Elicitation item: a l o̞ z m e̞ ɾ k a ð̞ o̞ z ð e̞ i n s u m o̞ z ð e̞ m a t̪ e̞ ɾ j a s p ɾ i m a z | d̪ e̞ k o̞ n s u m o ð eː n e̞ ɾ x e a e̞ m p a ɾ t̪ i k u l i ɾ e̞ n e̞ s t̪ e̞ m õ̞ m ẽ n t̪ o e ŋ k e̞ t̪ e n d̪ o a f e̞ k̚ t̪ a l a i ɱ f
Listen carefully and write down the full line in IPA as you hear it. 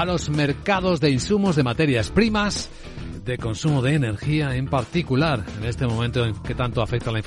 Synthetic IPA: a l o̞ z m e̞ ɾ k a ð̞ o̞ z ð e̞ i n s u m o̞ z ð e̞ m a t̪ e̞ ɾ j a s p ɾ i m a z | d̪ e̞ k o̞ n s u m o ð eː n e̞ ɾ x i a e̞ m p a ɾ t̪ i k u l a ɾ e̞ n e̞ s t̪ e̞ m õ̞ m ẽ n t̪ o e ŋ k e̞ t̪ a n t̪ o a f e̞ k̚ t̪ a l a i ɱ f